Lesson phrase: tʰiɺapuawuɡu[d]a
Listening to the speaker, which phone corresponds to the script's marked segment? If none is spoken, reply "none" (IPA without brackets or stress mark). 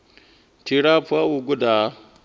d